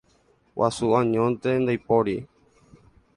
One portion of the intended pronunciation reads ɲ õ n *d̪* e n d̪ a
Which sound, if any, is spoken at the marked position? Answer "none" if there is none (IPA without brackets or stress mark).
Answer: t̪